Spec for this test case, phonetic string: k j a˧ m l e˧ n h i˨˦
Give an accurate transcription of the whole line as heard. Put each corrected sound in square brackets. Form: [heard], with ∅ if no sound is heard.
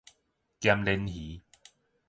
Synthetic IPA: k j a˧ m l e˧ n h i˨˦

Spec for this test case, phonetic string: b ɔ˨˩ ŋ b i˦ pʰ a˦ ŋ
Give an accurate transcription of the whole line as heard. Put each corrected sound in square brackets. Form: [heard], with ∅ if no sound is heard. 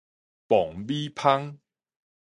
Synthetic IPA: [p] ɔ˨˩ ŋ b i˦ pʰ a˦ ŋ

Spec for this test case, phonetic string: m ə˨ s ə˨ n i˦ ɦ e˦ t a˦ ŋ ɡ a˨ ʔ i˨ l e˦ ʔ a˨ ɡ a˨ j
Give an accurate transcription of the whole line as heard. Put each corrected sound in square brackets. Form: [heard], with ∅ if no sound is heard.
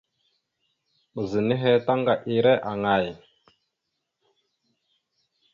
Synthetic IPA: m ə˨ [z] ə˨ n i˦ ɦ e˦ t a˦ ŋ ɡ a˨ ʔ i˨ [ɾ] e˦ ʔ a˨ [ŋ] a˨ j

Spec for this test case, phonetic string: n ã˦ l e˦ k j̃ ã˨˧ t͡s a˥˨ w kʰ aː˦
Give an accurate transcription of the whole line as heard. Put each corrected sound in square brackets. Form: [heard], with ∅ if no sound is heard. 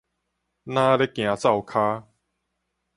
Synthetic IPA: n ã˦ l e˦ k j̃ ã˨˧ t͡s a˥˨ w kʰ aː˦

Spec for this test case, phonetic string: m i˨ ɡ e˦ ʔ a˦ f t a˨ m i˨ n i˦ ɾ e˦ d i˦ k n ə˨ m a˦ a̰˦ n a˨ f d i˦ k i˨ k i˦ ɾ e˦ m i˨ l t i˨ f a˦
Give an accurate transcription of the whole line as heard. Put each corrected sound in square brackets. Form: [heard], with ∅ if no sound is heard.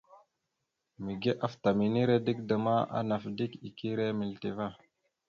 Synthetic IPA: m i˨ ɡ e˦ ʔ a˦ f t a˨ m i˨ n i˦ ɾ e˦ d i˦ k [d] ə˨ m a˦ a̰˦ n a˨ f d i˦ k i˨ k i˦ ɾ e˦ m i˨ l t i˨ [v] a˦

